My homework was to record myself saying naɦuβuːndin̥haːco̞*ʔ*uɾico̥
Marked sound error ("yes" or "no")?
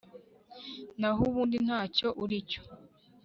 no